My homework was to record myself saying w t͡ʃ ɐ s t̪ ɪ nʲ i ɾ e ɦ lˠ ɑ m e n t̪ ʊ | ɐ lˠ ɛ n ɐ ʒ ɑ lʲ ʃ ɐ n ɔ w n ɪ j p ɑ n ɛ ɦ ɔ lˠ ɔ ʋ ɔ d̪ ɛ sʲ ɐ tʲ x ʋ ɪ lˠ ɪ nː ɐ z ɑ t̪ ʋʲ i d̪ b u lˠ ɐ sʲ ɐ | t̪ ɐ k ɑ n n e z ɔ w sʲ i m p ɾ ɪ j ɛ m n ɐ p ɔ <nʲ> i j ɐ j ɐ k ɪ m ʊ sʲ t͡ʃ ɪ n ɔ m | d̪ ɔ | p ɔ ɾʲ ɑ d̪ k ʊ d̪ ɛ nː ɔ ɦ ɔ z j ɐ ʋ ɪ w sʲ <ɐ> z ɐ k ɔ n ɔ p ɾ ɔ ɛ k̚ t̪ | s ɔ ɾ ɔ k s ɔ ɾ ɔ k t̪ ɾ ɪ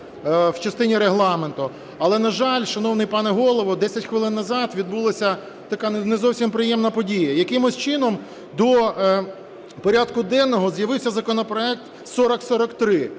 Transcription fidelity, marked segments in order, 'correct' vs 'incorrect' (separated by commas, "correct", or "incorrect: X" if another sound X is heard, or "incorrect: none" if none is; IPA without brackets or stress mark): incorrect: dʲ, correct